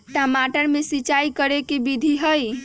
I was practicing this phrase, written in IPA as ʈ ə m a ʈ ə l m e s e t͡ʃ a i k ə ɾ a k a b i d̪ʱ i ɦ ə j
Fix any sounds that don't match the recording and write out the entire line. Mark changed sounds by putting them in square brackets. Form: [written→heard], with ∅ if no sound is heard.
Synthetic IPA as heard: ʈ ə m a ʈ ə [l→ɾ] m e s [e→i] t͡ʃ a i k ə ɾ [a→e] k [a→e] b i d̪ʱ i ɦ ə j